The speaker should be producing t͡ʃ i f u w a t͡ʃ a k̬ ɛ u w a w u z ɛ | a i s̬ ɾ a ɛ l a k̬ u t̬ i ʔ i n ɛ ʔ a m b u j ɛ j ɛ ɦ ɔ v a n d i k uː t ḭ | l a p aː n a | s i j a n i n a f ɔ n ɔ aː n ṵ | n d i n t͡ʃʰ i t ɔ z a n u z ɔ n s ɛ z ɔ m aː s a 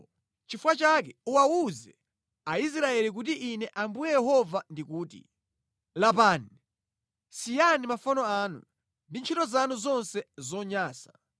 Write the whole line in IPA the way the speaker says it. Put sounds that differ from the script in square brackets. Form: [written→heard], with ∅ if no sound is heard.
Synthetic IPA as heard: t͡ʃ i f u w a t͡ʃ a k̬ ɛ u w a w u z ɛ | a i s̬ ɾ a ɛ l [a→i] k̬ u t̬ i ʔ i n ɛ ʔ a m b u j ɛ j ɛ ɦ ɔ v a n d i k uː t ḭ | l a p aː n [a→i] | s i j a n i [n→m] a f ɔ n ɔ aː n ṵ | n d i n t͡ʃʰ i t ɔ z a n u z ɔ n s ɛ z ɔ [m→ɲ] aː s a